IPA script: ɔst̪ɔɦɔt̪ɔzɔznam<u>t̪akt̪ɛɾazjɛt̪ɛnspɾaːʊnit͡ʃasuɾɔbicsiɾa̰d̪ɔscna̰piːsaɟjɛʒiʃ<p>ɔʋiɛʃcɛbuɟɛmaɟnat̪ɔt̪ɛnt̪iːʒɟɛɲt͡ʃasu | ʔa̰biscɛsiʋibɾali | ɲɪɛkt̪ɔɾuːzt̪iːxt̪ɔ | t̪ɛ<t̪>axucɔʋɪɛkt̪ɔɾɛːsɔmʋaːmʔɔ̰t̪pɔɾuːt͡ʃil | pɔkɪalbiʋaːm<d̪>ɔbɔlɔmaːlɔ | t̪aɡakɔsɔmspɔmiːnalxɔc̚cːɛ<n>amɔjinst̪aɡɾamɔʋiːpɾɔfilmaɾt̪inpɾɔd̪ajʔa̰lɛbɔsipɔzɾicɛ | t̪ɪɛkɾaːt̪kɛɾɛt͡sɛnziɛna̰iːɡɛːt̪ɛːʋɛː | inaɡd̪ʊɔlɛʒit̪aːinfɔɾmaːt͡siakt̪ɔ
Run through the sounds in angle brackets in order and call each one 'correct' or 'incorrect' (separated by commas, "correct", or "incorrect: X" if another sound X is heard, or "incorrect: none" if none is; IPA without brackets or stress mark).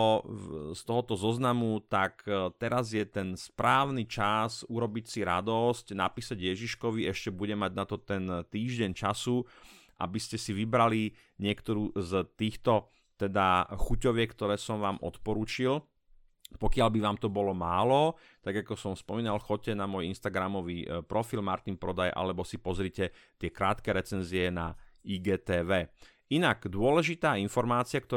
correct, incorrect: k, incorrect: d̪, incorrect: t̪, correct